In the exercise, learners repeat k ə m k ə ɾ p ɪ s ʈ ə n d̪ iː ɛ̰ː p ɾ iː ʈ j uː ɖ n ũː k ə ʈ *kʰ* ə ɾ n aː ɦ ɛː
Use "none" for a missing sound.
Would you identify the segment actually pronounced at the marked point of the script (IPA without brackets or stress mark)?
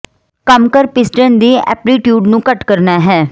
k